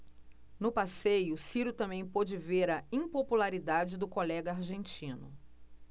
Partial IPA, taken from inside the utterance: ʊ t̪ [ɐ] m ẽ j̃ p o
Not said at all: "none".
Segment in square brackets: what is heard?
ɐ̃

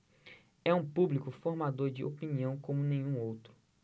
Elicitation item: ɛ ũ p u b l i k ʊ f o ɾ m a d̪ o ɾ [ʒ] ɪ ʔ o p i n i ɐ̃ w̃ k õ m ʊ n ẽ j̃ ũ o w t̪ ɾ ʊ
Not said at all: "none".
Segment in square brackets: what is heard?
d͡ʒ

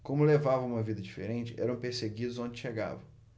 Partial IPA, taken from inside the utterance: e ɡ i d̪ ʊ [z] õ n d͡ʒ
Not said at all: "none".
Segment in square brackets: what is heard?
z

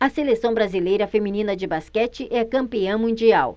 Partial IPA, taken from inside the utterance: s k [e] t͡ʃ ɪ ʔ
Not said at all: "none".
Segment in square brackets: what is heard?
ɛ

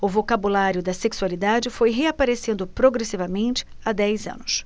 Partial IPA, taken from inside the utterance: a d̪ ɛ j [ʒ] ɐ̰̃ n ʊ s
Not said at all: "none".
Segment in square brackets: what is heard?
z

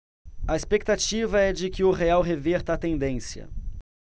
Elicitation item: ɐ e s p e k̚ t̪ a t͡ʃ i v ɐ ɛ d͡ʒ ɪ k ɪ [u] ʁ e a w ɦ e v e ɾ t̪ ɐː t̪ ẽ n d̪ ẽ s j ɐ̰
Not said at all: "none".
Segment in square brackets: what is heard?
ʊ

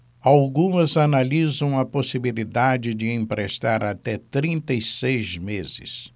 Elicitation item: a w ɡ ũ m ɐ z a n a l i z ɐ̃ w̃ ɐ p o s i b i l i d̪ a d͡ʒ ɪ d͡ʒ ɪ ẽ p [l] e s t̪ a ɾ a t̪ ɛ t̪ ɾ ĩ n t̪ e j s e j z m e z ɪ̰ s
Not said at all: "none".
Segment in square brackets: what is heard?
ɾ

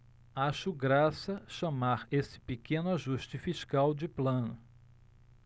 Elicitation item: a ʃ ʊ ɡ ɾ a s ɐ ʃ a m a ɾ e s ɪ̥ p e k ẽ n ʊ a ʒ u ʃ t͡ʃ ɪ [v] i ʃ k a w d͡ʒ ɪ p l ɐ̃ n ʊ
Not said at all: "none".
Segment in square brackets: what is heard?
f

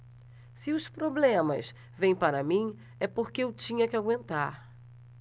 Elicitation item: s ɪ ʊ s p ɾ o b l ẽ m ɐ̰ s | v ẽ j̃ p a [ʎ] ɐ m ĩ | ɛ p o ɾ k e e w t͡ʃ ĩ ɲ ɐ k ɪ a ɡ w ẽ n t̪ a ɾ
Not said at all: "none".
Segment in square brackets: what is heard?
ɾ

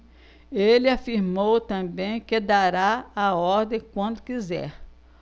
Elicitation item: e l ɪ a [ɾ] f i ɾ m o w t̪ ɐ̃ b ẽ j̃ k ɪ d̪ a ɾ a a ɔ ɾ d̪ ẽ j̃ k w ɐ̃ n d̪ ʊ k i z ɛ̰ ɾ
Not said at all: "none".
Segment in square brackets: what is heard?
none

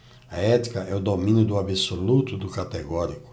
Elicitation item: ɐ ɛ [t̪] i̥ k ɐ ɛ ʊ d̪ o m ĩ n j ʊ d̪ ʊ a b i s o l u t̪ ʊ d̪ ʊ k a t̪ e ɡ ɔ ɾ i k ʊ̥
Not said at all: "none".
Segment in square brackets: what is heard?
t̪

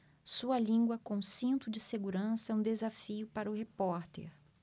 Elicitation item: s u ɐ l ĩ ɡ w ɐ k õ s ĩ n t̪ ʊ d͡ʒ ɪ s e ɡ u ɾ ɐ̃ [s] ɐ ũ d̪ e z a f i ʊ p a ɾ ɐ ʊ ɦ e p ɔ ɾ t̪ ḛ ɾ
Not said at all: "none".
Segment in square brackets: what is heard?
s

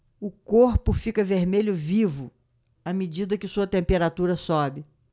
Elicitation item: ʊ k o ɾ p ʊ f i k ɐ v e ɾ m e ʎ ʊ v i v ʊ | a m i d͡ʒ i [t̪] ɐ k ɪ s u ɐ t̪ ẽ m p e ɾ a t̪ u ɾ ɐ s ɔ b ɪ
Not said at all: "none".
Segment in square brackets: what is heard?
d̪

